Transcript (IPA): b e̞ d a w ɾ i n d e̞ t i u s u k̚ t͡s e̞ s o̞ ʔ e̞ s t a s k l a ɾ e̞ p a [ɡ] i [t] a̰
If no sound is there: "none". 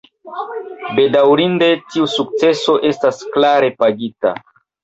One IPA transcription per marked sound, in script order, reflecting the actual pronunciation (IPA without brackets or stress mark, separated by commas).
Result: ɡ, t